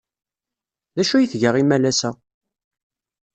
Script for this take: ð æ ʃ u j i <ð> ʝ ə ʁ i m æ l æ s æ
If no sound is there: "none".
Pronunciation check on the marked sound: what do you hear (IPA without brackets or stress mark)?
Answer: θ